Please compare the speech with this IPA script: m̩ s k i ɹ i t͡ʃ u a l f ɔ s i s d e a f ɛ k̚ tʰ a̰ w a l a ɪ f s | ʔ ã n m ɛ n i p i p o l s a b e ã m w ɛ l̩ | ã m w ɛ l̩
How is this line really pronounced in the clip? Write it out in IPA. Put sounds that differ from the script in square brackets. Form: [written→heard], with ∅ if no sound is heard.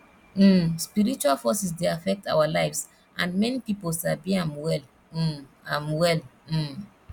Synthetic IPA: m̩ s [k→p] i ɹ i t͡ʃ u a l f ɔ s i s d e a f ɛ k̚ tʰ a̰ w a l a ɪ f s | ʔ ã n m ɛ n i p i p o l s a b [e→i] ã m w ɛ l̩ | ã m w ɛ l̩